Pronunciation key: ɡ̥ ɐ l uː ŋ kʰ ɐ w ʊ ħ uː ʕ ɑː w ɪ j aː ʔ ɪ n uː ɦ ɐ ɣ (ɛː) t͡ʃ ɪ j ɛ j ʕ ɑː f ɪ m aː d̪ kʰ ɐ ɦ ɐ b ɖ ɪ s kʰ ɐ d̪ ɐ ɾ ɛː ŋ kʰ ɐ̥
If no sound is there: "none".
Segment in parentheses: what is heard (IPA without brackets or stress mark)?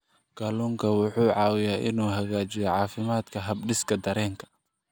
aː